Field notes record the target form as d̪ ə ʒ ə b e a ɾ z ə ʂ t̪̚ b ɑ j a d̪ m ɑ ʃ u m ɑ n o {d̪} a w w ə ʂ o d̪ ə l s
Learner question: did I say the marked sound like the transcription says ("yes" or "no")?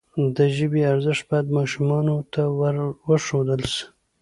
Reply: no